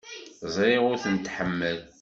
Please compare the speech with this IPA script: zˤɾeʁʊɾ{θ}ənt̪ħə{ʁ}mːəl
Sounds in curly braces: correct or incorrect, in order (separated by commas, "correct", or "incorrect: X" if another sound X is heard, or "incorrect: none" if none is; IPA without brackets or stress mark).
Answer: correct, incorrect: none